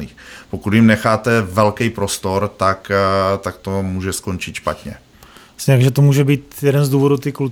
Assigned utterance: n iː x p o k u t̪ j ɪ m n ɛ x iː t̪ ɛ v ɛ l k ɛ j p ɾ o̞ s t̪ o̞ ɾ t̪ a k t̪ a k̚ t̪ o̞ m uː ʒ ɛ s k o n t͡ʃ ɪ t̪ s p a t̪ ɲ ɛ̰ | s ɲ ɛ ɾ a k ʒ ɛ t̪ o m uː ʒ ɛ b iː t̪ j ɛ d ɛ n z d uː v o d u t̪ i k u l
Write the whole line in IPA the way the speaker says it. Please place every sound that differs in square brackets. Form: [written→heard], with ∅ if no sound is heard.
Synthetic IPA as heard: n iː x p o k u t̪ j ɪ m n ɛ x [iː→aː] t̪ ɛ v ɛ l k ɛ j p ɾ o̞ s t̪ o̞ ɾ t̪ a k t̪ a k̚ t̪ o̞ m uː ʒ ɛ s k o n t͡ʃ ɪ t̪ [s→ʃ] p a t̪ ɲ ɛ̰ | s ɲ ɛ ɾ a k ʒ ɛ t̪ o m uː ʒ ɛ b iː t̪ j ɛ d ɛ n z d uː v o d u t̪ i k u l